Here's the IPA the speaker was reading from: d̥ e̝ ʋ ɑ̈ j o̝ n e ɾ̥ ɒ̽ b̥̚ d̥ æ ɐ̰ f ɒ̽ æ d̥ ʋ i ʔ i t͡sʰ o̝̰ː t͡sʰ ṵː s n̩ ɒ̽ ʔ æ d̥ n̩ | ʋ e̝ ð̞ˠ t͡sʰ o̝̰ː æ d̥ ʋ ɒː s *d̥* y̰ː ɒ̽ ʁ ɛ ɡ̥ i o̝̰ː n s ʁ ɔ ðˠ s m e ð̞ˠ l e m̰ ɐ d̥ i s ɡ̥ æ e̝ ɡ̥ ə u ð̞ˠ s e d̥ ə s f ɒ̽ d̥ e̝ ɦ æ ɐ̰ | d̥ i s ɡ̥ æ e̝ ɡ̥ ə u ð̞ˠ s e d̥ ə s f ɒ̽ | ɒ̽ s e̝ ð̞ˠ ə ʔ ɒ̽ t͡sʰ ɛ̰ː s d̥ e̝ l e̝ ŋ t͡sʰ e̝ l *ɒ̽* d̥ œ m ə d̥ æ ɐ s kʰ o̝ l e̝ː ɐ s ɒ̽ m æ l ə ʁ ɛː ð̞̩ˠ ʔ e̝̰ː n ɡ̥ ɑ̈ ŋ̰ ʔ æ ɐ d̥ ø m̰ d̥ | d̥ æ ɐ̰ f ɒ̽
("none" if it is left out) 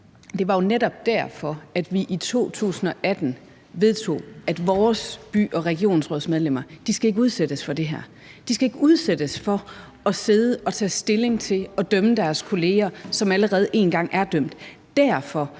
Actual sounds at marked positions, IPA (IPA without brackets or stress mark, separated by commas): b̥, ɒ̽